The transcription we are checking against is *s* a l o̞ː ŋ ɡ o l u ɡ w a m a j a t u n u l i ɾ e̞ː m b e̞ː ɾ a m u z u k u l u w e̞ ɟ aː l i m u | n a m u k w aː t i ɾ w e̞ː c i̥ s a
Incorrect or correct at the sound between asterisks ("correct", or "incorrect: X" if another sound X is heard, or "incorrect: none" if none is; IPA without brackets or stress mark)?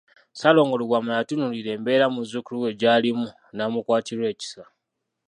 correct